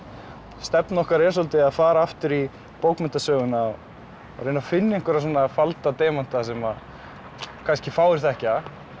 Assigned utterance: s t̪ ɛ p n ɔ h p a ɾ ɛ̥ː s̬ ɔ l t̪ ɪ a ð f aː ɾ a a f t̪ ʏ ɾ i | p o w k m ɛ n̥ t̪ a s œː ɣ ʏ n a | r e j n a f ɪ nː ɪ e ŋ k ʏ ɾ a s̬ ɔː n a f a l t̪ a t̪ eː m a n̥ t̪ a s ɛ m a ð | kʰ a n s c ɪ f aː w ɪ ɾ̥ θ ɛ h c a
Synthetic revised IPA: s t̪ ɛ p n ɔ h k a ɾ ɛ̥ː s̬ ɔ l t̪ ɪ a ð f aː ɾ a a f t̪ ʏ ɾ i | p o w k m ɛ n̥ t̪ a s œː ɣ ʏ n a | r e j n a f ɪ nː ɪ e ŋ k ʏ ɾ a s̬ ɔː n a f a l t̪ a t̪ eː m a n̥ t̪ a s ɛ m a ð | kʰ a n s c ɪ f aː w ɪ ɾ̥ θ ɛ h c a